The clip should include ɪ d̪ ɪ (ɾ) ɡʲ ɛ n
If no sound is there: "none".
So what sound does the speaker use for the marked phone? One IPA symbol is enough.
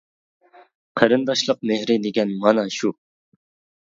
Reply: none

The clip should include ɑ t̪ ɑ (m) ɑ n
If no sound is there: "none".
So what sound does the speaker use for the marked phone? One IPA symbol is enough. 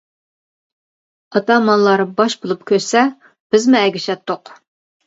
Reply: m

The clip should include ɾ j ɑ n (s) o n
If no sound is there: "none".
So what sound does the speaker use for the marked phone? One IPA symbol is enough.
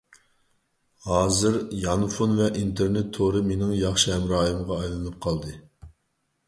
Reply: f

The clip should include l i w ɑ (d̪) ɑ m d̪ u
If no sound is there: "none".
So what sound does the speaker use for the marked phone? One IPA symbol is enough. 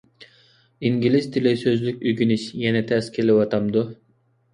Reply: t̪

